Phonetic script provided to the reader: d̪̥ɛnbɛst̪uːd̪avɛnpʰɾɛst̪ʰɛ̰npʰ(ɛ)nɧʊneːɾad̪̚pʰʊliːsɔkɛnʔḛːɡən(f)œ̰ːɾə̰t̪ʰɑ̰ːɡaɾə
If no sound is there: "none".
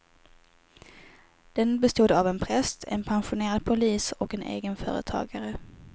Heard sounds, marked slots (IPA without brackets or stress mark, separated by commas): a, f